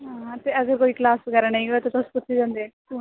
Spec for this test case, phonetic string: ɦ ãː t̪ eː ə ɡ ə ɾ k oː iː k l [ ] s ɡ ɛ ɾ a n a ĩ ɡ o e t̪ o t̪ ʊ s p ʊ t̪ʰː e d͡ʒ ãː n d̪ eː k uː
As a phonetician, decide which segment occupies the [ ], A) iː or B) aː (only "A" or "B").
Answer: B